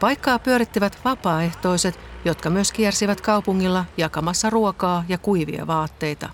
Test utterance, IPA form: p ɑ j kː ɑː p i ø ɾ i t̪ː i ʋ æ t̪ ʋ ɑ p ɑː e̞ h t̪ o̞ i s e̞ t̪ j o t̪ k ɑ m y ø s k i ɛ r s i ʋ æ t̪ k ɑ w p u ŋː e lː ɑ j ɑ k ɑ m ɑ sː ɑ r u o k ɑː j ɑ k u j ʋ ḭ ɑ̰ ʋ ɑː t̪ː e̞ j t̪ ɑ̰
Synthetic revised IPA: p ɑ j kː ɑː p y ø ɾ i t̪ː i ʋ æ t̪ ʋ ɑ p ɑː e̞ h t̪ o̞ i s e̞ t̪ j o t̪ k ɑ m y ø s k i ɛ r s i ʋ æ t̪ k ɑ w p u ŋː i lː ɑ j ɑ k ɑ m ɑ sː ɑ r u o k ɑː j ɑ k u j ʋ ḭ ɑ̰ ʋ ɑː t̪ː e̞ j t̪ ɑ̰